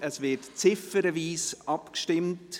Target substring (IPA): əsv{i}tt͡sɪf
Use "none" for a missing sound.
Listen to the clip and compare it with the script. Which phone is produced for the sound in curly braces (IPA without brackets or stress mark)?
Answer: ɪ